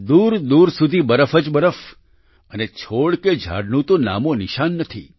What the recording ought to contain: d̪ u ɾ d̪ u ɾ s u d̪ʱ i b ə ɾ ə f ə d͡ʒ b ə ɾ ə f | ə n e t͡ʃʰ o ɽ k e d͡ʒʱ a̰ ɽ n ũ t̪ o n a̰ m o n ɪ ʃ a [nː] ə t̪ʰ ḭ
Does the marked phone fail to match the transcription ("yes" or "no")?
no